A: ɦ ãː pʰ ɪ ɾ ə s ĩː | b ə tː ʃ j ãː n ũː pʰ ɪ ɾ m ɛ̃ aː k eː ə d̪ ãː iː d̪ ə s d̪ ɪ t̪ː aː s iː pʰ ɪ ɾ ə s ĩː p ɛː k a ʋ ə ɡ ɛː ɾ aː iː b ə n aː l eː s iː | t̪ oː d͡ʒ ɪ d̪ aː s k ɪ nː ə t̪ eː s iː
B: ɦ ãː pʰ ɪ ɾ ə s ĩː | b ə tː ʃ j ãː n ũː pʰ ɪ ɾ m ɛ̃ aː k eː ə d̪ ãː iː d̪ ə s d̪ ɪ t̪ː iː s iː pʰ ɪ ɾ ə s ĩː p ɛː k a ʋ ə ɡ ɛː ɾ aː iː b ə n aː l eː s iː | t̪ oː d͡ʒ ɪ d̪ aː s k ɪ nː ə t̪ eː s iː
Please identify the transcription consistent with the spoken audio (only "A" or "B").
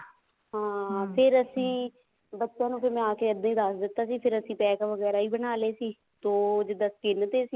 A